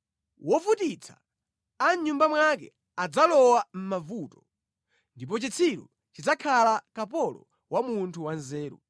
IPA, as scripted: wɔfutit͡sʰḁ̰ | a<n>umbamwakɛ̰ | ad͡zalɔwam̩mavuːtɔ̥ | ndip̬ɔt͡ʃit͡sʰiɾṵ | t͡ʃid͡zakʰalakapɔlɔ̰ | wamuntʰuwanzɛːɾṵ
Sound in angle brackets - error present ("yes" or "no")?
yes